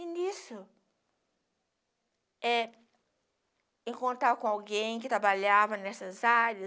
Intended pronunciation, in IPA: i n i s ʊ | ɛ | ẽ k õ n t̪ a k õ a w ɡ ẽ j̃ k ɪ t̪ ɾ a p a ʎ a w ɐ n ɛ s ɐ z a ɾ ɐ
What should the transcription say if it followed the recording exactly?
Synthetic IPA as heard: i n i s ʊ | ɛ | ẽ k õ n t̪ a k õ a w ɡ ẽ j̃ k ɪ t̪ ɾ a b a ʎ a v ɐ n ɛ s ɐ z a ɾ ɐ